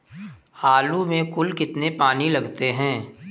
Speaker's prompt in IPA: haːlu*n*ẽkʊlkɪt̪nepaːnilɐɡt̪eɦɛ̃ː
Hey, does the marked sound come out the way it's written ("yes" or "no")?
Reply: no